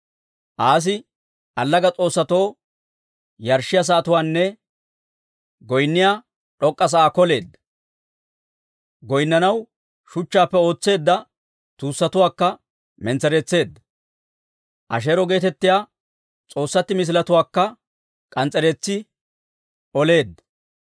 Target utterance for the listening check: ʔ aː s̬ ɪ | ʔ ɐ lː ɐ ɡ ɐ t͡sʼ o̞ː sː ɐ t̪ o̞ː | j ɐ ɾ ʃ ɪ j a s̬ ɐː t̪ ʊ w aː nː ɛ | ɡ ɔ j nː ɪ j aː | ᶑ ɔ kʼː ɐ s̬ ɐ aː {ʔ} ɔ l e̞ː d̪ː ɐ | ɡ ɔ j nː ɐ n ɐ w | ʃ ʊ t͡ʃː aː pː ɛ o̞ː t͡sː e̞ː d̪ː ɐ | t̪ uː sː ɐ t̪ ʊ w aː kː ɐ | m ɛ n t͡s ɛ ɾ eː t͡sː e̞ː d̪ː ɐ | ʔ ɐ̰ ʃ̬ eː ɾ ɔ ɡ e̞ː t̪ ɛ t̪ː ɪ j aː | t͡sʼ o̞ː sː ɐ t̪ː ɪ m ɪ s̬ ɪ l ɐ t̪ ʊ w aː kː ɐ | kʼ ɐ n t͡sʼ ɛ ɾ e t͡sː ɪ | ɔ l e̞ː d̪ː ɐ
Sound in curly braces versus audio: incorrect: k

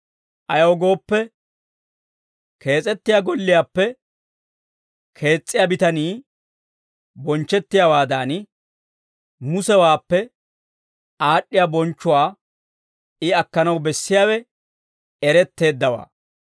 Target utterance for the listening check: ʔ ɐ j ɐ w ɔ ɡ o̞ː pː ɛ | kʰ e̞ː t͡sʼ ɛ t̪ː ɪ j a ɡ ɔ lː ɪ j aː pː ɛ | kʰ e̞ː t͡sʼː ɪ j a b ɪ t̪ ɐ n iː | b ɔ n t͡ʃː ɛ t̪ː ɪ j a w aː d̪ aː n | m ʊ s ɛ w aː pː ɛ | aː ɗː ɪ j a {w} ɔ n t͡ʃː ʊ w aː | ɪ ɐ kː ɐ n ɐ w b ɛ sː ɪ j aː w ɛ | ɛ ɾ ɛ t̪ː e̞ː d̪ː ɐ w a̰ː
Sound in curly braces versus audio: incorrect: b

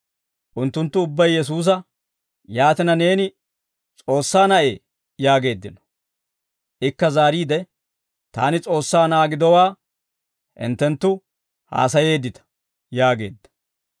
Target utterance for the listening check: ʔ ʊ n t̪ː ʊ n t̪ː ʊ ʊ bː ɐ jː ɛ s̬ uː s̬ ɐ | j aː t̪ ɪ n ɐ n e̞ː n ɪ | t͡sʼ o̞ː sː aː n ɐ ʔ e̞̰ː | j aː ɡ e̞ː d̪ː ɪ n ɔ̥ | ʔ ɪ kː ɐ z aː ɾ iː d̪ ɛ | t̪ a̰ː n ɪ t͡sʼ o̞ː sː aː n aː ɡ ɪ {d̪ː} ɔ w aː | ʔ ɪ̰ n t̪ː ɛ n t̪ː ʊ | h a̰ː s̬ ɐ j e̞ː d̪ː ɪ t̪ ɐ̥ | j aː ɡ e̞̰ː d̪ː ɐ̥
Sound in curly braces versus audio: incorrect: d̪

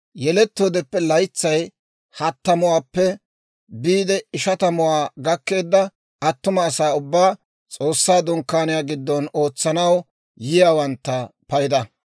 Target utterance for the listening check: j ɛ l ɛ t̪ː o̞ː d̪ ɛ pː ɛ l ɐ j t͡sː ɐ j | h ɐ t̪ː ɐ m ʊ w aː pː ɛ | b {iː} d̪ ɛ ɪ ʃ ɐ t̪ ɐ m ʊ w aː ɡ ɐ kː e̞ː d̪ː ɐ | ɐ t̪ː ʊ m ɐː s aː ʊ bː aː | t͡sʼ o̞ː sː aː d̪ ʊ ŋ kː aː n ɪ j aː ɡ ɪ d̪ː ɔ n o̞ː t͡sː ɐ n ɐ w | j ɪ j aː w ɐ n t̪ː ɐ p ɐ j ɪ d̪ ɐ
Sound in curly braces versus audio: correct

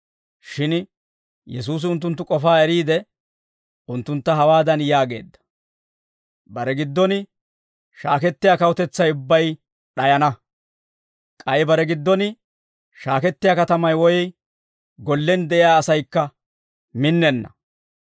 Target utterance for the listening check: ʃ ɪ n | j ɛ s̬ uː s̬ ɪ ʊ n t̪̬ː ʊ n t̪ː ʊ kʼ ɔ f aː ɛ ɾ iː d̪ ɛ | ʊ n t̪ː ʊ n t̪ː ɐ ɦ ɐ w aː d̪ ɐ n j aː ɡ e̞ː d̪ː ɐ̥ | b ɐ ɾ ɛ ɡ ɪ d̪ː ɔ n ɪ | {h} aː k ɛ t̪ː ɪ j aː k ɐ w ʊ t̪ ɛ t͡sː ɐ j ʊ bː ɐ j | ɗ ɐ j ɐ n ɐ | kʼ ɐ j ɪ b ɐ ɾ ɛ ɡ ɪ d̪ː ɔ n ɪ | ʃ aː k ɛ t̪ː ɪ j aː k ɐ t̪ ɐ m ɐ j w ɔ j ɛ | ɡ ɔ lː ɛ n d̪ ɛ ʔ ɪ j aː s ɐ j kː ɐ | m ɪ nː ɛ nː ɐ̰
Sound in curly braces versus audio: incorrect: ʃ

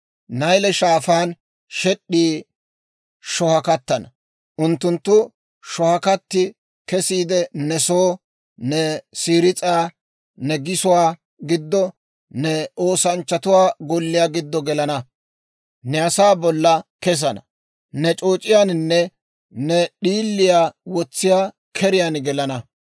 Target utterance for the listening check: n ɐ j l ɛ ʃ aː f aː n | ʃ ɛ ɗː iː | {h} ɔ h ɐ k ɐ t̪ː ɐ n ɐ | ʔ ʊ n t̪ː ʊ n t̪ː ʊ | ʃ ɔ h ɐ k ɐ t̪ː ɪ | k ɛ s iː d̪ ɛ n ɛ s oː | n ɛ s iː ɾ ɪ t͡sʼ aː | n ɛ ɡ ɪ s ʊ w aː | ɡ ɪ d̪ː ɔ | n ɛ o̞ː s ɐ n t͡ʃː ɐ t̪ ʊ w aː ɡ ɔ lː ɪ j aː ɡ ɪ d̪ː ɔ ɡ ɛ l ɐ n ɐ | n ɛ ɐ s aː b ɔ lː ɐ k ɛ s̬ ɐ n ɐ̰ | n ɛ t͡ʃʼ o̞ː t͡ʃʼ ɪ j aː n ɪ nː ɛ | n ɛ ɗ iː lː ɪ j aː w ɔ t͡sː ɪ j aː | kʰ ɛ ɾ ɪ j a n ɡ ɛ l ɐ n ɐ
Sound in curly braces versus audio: incorrect: ʃ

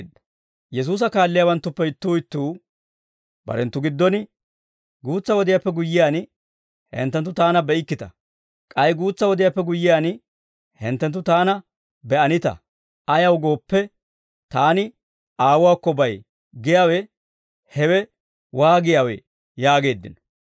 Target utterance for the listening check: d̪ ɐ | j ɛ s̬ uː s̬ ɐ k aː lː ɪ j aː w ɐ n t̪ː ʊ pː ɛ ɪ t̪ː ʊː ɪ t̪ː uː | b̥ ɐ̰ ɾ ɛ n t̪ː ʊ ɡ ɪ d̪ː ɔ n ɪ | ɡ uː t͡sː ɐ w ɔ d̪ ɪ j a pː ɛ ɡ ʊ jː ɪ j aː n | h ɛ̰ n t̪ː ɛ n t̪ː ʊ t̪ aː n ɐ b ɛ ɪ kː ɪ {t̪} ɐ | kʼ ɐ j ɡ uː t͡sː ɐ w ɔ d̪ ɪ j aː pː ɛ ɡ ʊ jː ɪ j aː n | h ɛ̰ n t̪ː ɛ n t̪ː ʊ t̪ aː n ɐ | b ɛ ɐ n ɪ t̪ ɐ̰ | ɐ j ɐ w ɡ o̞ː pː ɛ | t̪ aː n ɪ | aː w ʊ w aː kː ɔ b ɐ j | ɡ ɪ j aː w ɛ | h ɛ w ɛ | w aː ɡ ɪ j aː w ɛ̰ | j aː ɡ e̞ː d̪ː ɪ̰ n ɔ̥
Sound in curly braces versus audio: correct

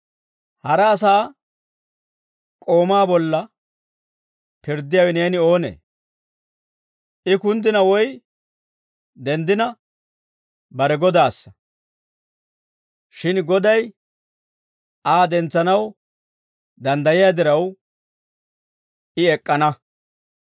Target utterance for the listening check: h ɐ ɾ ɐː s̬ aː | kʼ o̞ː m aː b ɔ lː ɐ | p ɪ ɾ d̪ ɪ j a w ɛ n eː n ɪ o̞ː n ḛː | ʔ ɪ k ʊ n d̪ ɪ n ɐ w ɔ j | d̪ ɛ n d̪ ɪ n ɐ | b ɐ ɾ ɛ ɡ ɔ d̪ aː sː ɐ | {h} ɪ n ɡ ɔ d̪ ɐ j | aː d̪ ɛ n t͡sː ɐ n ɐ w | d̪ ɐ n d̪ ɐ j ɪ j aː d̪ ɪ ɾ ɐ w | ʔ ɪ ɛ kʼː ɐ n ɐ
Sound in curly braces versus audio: incorrect: ʃ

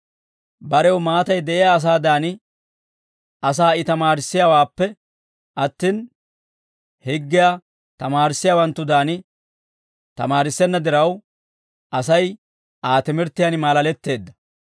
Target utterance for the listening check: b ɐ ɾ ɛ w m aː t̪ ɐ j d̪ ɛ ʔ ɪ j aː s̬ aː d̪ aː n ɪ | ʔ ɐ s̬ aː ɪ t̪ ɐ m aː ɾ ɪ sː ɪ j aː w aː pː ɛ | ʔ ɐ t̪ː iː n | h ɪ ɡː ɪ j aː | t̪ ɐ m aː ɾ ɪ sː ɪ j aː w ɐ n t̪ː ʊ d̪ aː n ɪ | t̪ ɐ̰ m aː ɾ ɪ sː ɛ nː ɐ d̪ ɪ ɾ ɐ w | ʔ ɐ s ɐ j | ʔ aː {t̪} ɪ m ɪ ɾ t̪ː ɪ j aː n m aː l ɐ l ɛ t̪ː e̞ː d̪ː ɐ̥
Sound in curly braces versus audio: correct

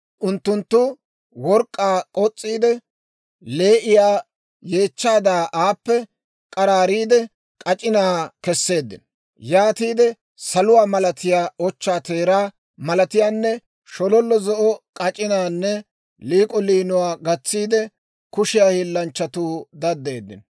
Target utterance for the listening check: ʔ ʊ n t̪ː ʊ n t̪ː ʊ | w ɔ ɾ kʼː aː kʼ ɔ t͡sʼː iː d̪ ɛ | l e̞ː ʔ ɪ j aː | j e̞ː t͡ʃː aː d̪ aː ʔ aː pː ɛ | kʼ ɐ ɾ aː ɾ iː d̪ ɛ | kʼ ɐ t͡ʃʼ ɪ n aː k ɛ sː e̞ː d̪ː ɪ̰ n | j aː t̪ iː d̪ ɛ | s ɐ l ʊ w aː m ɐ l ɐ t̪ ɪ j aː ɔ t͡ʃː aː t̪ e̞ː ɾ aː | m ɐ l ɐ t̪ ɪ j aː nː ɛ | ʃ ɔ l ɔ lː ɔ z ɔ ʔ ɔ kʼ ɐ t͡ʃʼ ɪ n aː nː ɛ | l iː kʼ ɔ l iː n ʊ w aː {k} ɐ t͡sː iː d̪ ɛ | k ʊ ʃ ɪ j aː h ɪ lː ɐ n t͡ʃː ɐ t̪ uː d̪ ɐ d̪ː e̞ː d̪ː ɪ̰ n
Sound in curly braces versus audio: incorrect: ɡ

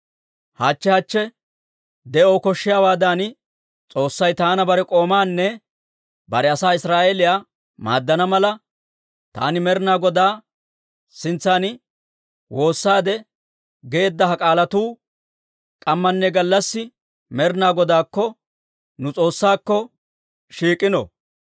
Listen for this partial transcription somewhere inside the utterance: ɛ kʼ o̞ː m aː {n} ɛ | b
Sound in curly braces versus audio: incorrect: nː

